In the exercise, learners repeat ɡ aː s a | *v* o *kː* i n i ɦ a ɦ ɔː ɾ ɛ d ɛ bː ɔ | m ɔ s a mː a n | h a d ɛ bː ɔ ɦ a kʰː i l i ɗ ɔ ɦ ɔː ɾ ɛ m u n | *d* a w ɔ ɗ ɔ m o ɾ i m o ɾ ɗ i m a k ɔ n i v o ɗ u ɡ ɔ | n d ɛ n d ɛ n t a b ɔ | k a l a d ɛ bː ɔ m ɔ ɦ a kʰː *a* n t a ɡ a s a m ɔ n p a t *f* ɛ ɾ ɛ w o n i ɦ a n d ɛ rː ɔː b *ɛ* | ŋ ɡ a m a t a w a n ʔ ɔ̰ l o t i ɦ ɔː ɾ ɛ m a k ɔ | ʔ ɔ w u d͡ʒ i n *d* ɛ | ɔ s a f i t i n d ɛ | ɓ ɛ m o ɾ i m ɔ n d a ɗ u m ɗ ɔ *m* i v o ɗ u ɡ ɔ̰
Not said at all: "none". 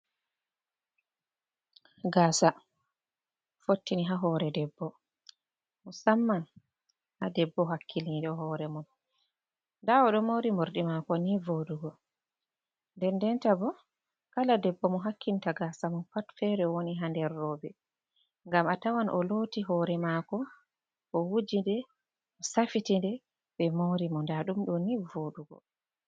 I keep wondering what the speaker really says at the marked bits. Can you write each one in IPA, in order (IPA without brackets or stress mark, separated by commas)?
f, tː, d, i, f, ɛ, d, n